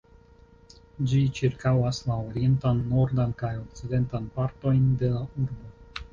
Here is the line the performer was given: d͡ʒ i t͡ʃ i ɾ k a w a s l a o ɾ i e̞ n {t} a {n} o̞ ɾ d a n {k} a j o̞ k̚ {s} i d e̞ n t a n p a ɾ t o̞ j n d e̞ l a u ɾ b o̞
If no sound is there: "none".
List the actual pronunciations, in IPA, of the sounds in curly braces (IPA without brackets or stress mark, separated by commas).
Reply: t, nː, k, t͡s